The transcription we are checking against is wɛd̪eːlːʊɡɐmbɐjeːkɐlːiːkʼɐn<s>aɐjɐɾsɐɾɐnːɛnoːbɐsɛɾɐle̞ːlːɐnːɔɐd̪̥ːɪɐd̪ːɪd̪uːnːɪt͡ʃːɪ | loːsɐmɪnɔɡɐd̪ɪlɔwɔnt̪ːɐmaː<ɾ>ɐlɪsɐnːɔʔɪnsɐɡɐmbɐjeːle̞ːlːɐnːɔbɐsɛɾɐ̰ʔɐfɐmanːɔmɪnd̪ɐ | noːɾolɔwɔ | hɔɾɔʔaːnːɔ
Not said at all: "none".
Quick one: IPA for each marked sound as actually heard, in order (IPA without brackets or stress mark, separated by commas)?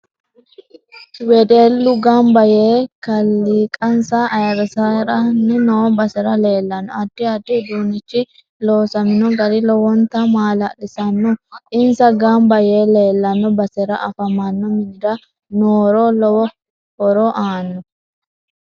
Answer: s, l